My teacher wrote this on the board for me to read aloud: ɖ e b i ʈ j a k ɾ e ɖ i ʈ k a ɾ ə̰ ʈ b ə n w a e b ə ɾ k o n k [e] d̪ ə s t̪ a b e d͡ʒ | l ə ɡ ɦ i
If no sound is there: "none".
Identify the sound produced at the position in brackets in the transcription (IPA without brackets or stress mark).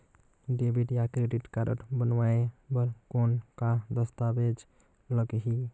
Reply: a